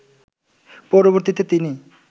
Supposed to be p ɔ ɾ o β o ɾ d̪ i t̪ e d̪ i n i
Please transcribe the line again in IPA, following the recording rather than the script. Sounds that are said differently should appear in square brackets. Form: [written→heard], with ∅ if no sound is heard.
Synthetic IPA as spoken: p ɔ ɾ o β o ɾ [d̪→t̪] i t̪ e [d̪→t̪] i n i